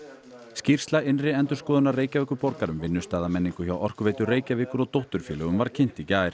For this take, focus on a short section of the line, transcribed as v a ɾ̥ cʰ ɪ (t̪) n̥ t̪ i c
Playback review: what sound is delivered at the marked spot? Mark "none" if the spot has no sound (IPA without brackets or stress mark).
none